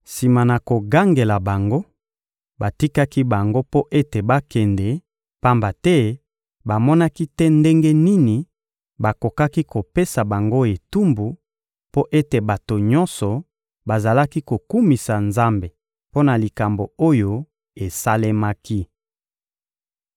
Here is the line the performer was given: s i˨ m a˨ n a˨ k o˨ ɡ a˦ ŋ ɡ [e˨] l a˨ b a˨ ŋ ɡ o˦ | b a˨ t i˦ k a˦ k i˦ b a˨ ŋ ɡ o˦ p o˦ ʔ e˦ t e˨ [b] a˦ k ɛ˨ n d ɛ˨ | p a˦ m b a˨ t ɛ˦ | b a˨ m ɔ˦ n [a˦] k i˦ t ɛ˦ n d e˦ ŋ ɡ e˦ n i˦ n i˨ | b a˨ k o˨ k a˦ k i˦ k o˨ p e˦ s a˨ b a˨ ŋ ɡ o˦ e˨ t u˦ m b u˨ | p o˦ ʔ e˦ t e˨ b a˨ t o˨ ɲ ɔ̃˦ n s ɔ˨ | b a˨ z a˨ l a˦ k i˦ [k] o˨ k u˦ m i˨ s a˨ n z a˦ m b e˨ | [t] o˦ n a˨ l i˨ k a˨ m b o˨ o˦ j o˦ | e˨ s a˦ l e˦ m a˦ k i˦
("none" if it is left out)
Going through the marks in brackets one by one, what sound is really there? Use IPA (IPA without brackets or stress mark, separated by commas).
e˨, b, a˦, k, p